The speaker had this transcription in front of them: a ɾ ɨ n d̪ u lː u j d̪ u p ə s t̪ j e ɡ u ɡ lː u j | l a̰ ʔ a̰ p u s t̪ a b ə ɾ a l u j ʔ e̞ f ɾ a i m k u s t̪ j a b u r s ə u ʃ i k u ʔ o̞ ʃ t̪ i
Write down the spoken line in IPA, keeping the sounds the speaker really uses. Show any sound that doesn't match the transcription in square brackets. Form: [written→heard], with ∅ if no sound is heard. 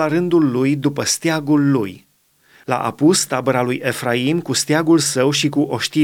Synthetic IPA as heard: a ɾ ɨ n d̪ u lː u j d̪ u p ə s t̪ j [e→a] ɡ u [ɡ→∅] lː u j | l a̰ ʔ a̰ p u s t̪ a b ə ɾ a l u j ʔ e̞ f ɾ a i m k u s t̪ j a [b→ɡ] u [r→l] s ə [u→w] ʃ i k u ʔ o̞ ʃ t̪ i